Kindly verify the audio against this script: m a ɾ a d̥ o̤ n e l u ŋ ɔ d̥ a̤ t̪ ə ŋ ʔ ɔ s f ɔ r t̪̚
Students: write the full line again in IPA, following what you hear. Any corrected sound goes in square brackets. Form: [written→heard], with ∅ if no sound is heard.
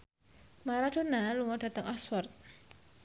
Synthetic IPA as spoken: m a ɾ a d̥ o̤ n [e→a] l u ŋ ɔ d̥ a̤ t̪ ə ŋ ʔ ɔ s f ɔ r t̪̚